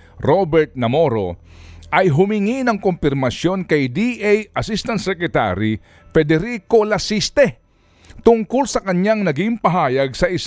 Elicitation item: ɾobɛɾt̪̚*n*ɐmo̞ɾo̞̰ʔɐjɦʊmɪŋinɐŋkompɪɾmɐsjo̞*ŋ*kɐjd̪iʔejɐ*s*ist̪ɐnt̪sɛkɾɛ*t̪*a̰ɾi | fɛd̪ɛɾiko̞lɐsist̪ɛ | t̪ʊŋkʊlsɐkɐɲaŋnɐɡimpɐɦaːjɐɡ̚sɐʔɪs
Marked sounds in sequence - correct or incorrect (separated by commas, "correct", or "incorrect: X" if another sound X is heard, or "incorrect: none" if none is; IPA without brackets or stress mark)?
correct, incorrect: n, correct, correct